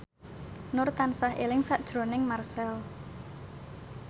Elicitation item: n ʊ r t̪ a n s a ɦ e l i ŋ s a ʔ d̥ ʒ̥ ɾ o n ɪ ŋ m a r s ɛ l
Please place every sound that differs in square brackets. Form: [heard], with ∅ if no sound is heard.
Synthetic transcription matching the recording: n ʊ r t̪ a n s a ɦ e l [ɪ] ŋ s a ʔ d̥ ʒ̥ ɾ o n ɪ ŋ m a r s ɛ l